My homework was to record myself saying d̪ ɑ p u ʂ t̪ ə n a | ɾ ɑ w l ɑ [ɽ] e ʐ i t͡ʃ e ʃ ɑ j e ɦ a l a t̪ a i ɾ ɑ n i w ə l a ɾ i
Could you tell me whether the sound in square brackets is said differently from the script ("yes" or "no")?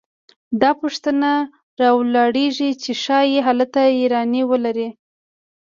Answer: no